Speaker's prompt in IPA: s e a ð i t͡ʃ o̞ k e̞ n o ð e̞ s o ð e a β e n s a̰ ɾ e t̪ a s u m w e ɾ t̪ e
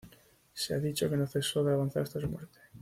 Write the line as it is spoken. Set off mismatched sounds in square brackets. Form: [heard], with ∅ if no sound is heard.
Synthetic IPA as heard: s e a ð i t͡ʃ o̞ k e̞ n o [θ] e̞ s o ð e a β [a] n [θ] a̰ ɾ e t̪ a s u m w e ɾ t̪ e